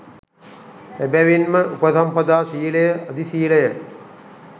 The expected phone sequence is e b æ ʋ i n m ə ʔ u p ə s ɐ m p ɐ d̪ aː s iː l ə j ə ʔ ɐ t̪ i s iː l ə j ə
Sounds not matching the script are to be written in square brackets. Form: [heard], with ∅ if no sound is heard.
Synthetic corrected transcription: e b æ ʋ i n m ə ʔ u p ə s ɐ m p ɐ d̪ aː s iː l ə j ə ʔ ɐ [d̪] i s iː l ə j ə